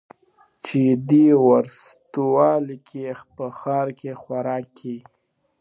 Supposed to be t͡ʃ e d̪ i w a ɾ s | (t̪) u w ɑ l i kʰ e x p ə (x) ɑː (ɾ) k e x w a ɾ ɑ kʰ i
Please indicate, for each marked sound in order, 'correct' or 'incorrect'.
correct, correct, correct

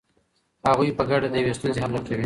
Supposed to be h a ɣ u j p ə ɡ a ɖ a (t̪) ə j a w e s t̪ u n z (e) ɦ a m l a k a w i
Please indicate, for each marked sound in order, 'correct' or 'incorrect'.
incorrect, correct

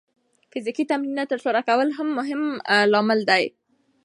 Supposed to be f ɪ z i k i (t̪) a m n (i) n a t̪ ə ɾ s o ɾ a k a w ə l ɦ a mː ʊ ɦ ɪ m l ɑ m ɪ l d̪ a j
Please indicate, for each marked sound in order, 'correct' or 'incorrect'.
correct, correct

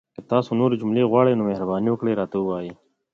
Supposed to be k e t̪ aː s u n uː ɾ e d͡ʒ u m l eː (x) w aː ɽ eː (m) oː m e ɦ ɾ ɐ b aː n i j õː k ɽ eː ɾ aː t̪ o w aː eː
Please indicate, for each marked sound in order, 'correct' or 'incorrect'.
incorrect, incorrect

